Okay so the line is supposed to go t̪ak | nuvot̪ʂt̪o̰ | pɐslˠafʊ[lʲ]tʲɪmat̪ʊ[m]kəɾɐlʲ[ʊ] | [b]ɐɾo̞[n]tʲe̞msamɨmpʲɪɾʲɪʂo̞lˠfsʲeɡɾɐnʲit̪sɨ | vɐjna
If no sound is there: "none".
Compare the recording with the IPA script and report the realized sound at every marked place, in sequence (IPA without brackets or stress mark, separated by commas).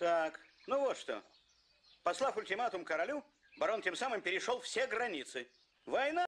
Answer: lʲ, m, u, b, n